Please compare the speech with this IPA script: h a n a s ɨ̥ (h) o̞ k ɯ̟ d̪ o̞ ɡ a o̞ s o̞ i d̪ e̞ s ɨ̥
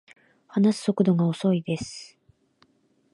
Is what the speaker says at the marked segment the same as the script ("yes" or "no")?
no